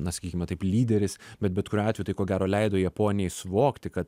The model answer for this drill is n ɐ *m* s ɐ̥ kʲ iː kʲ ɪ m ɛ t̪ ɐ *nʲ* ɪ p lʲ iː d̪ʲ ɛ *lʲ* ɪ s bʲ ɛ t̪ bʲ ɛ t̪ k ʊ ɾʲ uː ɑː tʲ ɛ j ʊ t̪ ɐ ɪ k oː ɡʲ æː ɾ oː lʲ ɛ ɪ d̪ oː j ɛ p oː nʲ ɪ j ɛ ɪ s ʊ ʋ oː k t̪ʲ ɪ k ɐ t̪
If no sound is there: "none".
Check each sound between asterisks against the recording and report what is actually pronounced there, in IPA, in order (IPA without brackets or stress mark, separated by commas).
none, none, ɾʲ